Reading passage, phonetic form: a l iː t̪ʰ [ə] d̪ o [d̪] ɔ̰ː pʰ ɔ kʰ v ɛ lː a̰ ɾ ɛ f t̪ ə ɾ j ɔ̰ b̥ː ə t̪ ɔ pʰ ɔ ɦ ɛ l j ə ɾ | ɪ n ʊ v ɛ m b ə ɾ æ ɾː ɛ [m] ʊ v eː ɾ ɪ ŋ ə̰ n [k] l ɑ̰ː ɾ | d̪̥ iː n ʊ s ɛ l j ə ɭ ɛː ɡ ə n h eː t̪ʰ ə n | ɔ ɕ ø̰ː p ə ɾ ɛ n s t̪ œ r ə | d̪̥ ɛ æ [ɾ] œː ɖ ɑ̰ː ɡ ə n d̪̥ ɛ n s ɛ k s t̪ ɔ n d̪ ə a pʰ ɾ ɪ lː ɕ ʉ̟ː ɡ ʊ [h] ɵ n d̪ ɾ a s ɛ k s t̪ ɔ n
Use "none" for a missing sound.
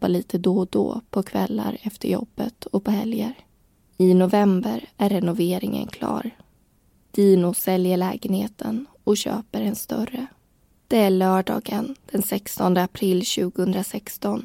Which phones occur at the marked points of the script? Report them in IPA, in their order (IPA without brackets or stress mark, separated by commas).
ə, d̪, n, kʰ, ɭ, h